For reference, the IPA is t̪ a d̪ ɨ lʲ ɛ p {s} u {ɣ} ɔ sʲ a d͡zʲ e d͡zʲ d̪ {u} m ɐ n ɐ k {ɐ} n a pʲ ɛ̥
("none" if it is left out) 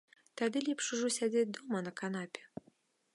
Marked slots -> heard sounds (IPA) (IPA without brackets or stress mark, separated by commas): ʂ, ʐ, ɔ, a